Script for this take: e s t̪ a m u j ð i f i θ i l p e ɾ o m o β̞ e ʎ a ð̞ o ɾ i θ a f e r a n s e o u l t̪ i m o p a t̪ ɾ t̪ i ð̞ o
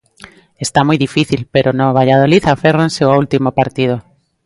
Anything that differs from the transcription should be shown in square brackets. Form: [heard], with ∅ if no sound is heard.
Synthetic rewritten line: e s t̪ a m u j ð i f i θ i l p e ɾ o [n] o β̞ [a] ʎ a ð̞ o [l] i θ a f e r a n s e o u l t̪ i m o p a [∅] ɾ t̪ i ð̞ o